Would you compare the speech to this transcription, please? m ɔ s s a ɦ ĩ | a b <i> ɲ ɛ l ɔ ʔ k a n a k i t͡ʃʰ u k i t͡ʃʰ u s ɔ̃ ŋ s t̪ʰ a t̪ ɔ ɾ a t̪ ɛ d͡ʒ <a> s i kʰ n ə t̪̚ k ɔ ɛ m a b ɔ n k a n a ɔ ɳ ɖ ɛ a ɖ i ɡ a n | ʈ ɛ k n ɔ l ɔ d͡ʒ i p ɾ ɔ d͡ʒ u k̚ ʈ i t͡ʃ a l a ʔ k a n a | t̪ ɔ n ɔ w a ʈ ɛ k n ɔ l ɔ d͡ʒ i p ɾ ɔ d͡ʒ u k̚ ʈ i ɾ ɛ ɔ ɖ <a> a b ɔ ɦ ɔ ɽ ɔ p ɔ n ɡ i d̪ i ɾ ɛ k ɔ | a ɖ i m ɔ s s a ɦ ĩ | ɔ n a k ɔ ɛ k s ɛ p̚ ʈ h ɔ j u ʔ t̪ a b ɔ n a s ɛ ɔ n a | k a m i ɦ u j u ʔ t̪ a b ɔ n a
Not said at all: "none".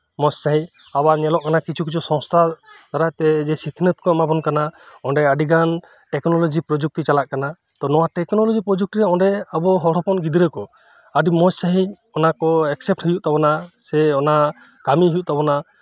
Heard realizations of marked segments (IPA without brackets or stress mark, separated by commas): a, ɛ, ɛ